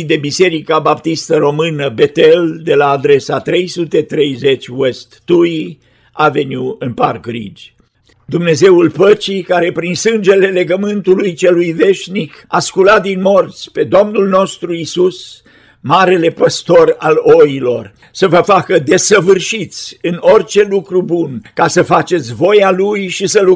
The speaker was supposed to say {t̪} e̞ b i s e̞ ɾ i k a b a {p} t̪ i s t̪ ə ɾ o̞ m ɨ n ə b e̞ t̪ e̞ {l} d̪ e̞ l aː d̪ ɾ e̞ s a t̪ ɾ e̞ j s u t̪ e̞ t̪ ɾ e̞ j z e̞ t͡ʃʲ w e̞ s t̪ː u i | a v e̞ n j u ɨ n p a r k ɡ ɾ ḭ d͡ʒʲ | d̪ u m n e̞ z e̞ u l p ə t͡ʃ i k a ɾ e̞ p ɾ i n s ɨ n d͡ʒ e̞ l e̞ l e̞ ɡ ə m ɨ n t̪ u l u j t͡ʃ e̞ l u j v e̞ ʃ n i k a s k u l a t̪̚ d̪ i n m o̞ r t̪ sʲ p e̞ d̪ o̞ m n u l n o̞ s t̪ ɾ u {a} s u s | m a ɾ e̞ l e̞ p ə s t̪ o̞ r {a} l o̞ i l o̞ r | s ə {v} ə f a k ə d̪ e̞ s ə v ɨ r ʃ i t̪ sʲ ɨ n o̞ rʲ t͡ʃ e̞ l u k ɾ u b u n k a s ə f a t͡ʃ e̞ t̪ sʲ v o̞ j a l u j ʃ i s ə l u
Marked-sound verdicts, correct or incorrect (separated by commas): incorrect, correct, correct, incorrect, correct, correct